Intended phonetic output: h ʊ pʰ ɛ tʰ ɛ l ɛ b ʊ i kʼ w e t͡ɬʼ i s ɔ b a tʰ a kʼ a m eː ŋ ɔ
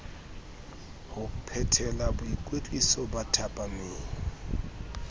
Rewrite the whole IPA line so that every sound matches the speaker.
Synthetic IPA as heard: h ʊ pʰ ɛ tʰ ɛ l a b ʊ i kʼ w e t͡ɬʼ i s ɔ b a tʰ a pʼ a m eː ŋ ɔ

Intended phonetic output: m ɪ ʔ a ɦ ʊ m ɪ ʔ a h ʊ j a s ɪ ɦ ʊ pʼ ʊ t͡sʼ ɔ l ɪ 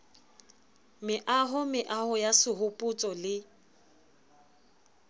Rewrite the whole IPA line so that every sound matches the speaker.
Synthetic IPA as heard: m ɪ ʔ a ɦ ʊ m ɪ ʔ a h ʊ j a s ɪ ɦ ʊ pʼ ʊ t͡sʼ ɔ l ɪ

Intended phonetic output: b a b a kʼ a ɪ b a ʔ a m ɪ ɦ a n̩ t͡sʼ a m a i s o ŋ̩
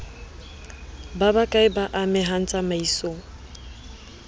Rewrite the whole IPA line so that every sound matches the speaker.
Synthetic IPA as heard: b a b a kʼ a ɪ b a ʔ a m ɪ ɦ a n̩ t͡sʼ a m a i s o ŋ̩

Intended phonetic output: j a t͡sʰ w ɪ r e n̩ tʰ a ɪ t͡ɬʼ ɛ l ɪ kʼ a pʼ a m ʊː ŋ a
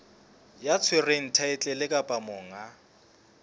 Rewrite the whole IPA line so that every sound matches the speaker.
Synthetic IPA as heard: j a t͡sʰ w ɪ r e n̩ tʰ a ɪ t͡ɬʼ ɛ l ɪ kʼ a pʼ a m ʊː ŋ a

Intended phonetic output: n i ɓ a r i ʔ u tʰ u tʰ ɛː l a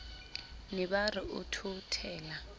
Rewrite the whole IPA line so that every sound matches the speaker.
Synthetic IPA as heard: n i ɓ a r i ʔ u tʰ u tʰ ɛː l a

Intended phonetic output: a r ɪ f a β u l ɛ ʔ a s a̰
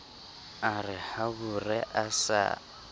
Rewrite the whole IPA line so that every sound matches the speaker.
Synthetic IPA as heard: a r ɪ h a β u r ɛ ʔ a s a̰

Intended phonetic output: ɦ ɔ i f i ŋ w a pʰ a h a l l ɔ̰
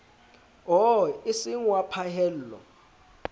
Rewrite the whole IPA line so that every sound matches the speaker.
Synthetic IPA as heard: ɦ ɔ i s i ŋ w a pʰ a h ɛ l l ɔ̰

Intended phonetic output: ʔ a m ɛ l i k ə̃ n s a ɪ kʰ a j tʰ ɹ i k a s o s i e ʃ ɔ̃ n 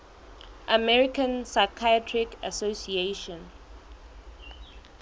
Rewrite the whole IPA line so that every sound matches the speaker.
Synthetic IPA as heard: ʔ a m ɛ ɹ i k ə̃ n s a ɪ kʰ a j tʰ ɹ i k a s o s i e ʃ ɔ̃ n

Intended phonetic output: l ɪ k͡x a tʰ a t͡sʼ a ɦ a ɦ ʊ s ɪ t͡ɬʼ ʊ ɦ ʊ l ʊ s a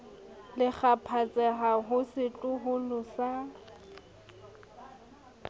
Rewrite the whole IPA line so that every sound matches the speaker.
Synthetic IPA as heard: l ɪ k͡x a pʰ a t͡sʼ ɛ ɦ a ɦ ʊ s ɪ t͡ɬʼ ʊ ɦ ʊ l ʊ s a

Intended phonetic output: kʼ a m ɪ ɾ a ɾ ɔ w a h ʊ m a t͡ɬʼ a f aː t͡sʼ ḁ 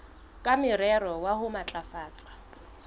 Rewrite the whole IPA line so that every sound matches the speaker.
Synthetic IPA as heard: kʼ a m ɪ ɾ ɛ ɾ ɔ w a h ʊ m a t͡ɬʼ a f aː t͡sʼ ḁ

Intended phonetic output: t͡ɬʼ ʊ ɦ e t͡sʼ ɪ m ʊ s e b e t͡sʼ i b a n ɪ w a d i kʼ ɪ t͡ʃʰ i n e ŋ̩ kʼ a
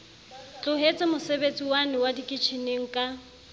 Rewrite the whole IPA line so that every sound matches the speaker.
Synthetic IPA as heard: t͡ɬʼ ʊ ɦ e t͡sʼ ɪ m ʊ s e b e t͡sʼ i w a n ɪ w a d i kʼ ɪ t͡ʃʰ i n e ŋ̩ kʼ a

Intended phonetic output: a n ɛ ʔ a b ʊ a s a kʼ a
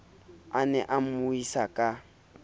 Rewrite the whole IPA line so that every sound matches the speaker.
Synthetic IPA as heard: a n ɛ ʔ a m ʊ i s a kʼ a

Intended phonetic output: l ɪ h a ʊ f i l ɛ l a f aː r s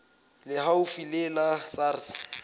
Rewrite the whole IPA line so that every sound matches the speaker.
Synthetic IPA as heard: l ɪ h a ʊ f i l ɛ l a s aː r s

